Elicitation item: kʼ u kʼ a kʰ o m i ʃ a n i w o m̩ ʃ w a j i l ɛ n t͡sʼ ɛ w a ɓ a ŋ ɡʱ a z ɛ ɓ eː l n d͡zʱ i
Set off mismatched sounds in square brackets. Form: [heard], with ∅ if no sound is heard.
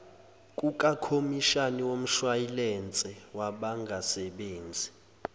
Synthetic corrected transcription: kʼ u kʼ a kʰ o m i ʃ a n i w o m̩ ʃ w a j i l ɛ n t͡sʼ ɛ w a ɓ a ŋ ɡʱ a [s] ɛ ɓ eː [∅] n d͡zʱ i